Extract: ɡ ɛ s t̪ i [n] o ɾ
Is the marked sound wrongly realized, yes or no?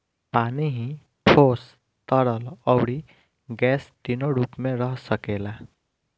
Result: no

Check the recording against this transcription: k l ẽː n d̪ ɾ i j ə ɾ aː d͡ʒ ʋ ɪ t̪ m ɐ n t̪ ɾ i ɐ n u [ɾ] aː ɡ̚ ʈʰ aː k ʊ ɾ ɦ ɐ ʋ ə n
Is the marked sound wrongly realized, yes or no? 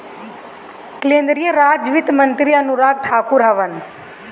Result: no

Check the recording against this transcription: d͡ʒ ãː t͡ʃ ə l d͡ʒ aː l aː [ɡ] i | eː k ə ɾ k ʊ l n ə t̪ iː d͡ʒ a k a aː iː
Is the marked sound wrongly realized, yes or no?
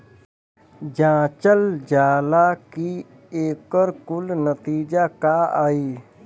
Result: yes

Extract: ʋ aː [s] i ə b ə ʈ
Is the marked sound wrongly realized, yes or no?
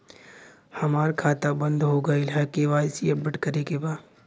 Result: no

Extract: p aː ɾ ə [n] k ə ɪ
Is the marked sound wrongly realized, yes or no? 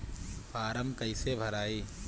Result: yes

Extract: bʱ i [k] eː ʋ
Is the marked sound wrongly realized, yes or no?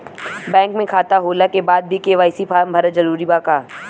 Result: no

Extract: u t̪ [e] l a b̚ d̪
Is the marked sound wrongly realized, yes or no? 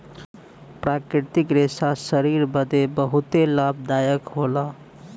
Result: no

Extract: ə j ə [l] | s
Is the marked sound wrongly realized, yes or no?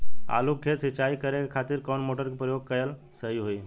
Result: no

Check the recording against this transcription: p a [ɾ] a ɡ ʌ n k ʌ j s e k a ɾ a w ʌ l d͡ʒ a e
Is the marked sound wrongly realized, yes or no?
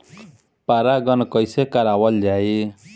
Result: no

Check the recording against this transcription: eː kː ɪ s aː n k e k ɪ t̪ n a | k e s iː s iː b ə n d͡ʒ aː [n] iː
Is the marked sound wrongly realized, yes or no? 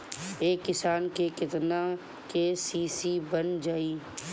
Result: yes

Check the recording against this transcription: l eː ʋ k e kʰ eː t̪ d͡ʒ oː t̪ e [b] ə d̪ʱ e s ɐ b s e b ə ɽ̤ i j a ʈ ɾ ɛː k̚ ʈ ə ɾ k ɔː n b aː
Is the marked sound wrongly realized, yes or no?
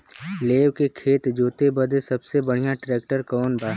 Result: no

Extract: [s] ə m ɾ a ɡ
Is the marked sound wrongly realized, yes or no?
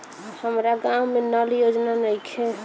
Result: yes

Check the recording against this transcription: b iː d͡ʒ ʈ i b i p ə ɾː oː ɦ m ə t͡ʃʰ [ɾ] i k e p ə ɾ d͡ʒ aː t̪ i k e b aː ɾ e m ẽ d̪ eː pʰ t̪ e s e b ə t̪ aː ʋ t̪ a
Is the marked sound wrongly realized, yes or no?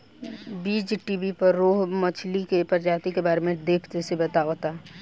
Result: yes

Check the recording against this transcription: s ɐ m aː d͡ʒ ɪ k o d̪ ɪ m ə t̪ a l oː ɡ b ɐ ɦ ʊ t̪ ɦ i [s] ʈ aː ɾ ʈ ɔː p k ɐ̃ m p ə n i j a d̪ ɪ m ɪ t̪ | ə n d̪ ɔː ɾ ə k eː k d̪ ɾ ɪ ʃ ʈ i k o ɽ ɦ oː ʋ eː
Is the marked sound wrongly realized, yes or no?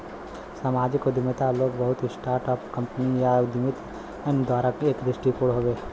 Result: no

